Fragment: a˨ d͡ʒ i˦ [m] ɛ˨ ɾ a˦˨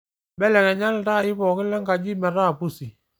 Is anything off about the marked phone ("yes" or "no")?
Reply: no